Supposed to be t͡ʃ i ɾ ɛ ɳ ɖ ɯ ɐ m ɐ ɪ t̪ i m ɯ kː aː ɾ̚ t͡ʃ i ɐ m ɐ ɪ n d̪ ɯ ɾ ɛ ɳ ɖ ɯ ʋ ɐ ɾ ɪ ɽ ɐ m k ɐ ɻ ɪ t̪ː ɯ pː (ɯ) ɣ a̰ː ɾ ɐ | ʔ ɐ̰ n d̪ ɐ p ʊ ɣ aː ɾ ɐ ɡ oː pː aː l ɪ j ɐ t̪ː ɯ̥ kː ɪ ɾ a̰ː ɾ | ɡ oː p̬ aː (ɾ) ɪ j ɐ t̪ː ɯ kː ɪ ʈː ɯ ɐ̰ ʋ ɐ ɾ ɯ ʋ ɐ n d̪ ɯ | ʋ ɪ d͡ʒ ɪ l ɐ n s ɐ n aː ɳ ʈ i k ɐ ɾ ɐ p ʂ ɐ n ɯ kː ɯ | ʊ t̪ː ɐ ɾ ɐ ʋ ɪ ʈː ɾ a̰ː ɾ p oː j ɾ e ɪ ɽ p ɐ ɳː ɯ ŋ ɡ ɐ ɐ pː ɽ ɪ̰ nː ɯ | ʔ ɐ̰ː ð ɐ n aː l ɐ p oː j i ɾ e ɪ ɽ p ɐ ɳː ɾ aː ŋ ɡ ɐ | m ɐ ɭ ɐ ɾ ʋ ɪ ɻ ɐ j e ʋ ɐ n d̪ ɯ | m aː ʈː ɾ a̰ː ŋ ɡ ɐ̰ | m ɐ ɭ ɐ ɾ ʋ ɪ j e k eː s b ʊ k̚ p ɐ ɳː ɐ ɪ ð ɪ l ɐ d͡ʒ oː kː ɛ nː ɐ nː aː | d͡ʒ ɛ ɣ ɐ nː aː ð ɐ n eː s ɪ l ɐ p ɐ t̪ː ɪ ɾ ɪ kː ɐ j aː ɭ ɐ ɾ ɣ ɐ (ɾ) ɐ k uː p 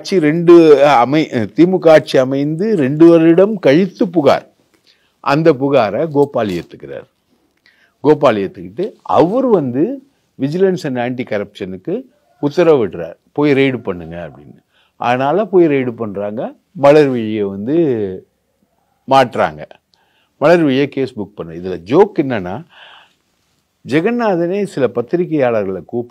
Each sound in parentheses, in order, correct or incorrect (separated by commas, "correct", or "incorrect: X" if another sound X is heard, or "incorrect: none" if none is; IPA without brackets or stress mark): incorrect: ʊ, incorrect: l, incorrect: ɭ